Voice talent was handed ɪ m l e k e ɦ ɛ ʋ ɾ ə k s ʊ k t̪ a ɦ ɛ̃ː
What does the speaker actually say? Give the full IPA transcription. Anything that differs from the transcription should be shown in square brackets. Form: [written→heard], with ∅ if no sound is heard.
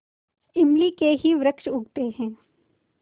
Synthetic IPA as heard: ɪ m l [e→i] k e ɦ [ɛ→i] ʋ ɾ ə k [s→ʃ] ʊ [k→ɡ] t̪ [a→e] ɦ ɛ̃ː